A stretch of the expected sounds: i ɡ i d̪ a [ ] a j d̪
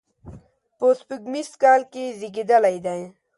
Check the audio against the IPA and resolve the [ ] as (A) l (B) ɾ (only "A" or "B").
A